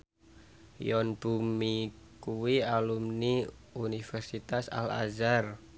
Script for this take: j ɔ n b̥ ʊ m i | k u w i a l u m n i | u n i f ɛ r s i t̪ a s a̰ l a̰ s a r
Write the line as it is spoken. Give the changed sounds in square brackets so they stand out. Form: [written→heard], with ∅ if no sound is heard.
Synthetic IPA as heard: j ɔ n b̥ [ʊ→u] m i | k u w i a l u m n i | u n i f ɛ r s i t̪ a s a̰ l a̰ [s→z] a r